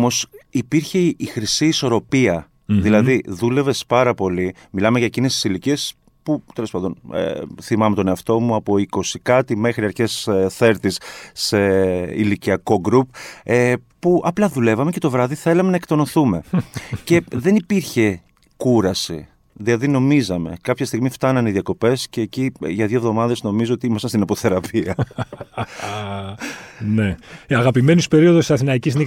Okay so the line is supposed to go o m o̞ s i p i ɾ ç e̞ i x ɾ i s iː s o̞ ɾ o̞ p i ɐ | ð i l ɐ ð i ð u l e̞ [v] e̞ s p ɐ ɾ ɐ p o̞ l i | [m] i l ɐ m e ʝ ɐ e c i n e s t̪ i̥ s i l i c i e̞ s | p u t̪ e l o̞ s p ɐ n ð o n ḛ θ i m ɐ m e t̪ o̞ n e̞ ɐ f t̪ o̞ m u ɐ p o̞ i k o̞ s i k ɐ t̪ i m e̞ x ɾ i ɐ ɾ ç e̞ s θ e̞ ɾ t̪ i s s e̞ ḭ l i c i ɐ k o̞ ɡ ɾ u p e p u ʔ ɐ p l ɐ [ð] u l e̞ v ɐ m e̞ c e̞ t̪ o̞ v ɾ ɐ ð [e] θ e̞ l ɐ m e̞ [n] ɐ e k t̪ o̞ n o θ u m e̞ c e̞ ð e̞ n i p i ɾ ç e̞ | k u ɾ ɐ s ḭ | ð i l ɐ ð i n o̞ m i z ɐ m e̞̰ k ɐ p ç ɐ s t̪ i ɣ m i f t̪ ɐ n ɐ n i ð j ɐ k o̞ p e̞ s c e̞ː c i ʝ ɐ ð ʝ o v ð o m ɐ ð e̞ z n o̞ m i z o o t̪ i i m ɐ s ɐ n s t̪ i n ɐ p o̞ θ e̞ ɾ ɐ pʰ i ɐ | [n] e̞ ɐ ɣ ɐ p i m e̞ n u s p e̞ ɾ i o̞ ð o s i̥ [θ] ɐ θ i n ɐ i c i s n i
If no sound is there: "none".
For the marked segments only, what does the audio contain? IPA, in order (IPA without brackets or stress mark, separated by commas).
v, m, ð, i, n, n, s